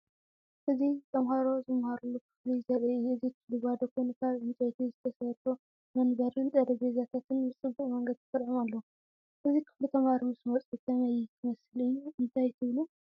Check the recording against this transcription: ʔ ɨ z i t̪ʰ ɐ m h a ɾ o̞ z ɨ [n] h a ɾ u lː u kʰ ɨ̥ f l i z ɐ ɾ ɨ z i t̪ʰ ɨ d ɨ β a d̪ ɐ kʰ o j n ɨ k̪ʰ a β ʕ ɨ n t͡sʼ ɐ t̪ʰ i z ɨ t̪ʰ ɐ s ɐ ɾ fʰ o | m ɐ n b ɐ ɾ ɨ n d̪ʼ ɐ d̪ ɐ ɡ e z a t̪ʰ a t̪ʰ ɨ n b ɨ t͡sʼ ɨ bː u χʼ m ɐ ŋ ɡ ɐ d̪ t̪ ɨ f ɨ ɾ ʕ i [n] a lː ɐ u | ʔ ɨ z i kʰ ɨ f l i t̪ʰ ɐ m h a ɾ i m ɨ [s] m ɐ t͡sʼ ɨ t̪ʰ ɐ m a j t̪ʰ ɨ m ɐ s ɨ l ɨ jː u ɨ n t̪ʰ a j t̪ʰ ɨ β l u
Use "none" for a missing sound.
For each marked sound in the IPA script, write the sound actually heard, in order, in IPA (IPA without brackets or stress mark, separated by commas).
m, m, s